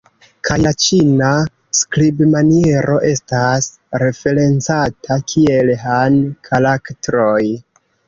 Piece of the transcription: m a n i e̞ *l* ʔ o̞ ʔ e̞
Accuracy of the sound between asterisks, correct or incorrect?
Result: incorrect